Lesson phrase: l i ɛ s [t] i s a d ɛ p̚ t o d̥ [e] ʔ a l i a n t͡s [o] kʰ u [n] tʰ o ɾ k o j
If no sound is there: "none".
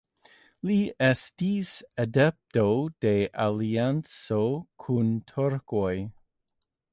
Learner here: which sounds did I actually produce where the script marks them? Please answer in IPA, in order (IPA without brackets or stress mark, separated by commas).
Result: t, e, o, n